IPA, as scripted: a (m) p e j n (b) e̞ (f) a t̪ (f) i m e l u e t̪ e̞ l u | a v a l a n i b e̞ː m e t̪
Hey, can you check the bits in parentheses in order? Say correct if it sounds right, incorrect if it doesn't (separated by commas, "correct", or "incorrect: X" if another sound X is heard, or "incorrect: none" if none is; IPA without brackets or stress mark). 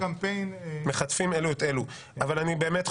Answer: correct, incorrect: m, incorrect: χ, correct